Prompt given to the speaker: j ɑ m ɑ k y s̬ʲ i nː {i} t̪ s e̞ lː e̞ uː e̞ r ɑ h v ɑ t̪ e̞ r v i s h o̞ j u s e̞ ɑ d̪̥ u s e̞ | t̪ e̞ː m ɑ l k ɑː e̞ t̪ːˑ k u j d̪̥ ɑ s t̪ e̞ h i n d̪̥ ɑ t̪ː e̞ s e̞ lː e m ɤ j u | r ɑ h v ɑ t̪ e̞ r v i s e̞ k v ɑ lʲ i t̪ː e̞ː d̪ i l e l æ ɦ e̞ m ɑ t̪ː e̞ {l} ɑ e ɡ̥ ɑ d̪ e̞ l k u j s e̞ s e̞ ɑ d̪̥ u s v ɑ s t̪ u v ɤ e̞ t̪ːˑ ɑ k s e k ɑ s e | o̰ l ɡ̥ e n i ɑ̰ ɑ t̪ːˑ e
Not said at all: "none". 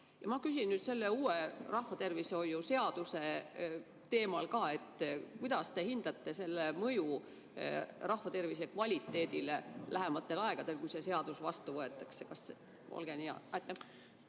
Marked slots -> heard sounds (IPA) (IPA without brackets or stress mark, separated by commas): y, l